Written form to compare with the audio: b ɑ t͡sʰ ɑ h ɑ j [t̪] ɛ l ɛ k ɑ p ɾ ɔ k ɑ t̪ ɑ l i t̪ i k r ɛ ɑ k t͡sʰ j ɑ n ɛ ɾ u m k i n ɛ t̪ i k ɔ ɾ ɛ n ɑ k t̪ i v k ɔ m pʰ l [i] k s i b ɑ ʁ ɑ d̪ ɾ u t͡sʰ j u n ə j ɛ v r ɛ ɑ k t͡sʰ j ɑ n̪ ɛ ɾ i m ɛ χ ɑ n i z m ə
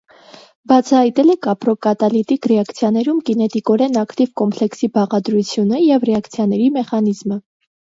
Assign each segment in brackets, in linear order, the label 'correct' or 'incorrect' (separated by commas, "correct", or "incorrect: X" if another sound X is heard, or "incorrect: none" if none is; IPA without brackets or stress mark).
correct, incorrect: ɛ